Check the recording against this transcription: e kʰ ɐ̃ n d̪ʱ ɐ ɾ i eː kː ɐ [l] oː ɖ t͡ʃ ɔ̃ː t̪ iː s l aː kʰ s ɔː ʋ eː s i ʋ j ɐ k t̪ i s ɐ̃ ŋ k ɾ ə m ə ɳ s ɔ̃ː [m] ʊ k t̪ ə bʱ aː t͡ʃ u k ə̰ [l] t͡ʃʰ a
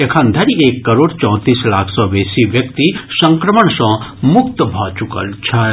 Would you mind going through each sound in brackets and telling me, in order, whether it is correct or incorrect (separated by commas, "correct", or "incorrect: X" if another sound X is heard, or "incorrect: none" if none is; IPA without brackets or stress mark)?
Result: incorrect: ɾ, correct, correct